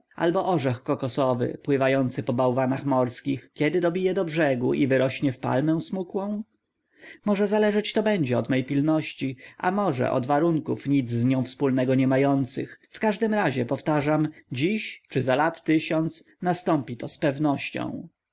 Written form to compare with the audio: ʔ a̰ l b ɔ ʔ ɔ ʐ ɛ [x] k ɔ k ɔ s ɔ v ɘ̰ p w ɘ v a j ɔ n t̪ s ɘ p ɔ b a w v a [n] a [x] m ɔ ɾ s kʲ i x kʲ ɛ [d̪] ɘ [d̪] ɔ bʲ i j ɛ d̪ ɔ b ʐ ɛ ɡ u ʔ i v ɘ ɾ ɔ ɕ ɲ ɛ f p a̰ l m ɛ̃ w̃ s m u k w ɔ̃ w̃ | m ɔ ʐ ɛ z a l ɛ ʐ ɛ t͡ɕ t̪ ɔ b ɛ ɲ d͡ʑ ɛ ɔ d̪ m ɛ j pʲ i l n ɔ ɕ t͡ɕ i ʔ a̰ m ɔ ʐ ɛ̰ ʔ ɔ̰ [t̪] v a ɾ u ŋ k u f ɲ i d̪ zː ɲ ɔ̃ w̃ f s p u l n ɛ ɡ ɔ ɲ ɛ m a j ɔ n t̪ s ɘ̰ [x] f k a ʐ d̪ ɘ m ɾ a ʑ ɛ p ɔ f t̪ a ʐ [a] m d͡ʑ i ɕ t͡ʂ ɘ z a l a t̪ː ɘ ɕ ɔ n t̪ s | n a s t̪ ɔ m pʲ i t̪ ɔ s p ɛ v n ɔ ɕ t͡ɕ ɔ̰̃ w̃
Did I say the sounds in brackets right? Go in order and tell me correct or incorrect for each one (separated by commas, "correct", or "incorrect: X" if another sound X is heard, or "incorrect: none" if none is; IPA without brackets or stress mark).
correct, correct, correct, correct, correct, incorrect: d̪, correct, correct